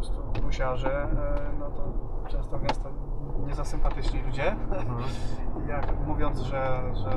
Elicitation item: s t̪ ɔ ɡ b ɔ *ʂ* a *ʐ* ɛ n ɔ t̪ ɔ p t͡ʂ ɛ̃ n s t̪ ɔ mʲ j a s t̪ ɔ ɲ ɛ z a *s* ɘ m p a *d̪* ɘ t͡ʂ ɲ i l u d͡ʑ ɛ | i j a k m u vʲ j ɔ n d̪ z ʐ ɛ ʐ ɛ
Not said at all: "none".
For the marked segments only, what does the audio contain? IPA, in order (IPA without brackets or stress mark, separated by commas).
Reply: ɕ, ʐ, s, t̪